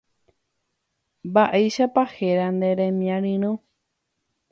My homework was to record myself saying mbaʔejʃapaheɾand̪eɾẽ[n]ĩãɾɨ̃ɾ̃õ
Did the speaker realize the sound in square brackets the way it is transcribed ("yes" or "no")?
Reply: no